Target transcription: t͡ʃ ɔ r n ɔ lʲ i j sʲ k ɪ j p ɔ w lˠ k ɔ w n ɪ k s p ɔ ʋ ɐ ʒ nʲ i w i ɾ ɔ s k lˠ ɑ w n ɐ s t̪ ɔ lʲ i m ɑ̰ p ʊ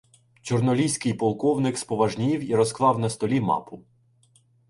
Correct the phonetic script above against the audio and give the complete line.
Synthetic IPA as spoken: t͡ʃ ɔ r n ɔ lʲ i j sʲ k ɪ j p ɔ lˠ k ɔ w n ɪ k s p ɔ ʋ ɐ ʒ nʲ i w i ɾ ɔ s k lˠ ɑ w n ɐ s t̪ ɔ lʲ i m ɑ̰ p ʊ